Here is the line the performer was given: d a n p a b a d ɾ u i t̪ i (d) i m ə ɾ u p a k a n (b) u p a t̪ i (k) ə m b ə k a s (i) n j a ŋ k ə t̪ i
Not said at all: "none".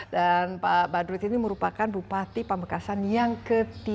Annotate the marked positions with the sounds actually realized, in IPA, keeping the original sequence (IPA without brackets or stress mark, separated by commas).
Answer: n, b, p, a